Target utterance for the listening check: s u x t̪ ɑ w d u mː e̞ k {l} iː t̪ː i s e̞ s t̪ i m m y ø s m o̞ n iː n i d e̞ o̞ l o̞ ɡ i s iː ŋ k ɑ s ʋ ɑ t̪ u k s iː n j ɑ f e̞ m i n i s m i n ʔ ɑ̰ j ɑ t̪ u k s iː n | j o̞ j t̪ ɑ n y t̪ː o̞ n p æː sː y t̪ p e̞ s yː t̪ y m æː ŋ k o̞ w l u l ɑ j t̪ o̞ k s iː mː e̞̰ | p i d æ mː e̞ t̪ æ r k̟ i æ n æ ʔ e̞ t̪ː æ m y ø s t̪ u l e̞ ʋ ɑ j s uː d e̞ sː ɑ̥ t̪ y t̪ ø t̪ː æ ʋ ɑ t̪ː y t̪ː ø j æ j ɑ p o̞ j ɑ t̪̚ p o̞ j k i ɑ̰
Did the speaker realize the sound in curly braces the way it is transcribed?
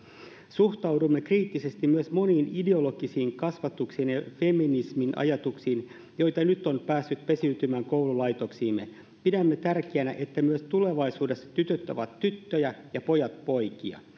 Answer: no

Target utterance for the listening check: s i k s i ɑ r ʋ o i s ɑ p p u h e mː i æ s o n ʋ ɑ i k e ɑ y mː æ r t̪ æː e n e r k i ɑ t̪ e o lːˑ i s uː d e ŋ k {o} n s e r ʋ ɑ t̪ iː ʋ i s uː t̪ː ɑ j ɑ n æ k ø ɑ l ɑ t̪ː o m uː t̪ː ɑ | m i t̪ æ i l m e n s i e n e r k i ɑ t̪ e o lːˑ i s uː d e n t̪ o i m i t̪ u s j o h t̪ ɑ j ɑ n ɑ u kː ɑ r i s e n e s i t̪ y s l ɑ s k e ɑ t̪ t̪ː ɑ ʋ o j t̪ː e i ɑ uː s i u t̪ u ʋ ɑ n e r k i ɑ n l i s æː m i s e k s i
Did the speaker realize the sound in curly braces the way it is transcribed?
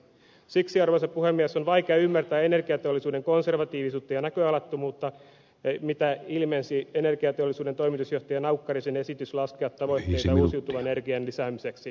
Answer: yes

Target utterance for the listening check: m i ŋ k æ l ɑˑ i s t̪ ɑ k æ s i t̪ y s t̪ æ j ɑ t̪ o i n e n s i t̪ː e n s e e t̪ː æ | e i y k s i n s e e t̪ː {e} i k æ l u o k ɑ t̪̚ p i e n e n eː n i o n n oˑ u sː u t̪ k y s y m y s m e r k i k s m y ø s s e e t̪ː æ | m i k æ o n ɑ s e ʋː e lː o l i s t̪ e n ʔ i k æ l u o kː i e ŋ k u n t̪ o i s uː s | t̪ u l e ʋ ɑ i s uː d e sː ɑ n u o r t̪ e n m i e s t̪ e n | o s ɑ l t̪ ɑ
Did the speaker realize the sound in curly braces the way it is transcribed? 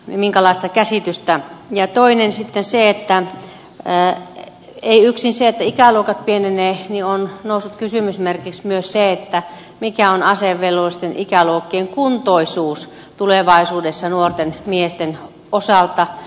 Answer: no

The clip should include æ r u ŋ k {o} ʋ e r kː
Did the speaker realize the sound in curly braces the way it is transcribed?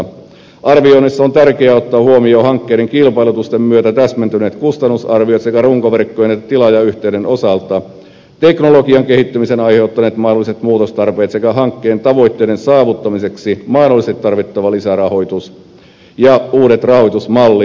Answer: yes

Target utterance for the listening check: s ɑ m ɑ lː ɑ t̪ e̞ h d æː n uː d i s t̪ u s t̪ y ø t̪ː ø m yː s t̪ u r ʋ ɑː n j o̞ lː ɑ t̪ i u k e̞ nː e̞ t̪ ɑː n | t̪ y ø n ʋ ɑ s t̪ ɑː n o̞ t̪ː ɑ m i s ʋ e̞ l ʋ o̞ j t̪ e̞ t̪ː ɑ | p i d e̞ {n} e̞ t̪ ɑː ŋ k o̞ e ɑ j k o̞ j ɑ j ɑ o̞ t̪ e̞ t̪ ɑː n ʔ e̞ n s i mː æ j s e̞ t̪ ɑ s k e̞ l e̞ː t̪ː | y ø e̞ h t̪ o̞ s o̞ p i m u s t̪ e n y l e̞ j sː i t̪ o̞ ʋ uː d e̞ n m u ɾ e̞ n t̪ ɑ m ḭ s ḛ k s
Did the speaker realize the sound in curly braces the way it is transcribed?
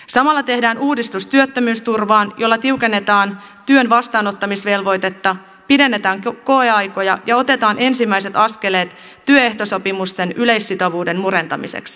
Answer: no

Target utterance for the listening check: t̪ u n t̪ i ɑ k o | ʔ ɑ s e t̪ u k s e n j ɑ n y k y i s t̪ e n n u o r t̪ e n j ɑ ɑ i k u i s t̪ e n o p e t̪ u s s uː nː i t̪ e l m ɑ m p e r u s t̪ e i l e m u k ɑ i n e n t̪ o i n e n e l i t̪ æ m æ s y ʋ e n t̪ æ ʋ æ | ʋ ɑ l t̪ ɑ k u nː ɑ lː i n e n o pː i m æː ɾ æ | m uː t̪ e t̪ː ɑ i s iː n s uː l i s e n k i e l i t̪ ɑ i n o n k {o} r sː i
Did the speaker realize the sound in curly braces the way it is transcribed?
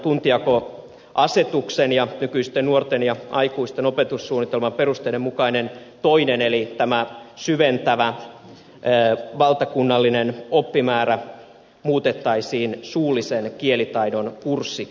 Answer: no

